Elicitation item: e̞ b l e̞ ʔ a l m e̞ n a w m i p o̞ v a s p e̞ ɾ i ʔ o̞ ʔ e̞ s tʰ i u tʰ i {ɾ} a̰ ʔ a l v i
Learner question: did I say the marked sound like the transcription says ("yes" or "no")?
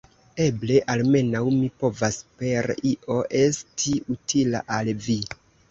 no